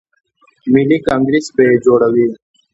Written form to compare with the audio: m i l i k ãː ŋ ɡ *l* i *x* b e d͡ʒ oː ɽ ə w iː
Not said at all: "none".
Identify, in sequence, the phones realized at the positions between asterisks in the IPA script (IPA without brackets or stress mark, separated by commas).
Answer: ɾ, s